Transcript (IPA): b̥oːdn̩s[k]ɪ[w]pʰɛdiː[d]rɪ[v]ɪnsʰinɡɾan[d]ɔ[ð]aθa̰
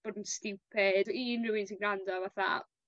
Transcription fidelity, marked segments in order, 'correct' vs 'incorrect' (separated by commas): incorrect, correct, incorrect, incorrect, correct, incorrect